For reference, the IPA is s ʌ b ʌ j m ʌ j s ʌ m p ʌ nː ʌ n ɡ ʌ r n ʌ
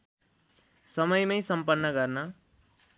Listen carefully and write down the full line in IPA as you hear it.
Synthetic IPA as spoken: s ʌ m ʌ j m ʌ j s ʌ m p ʌ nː ʌ ɡ ʌ r n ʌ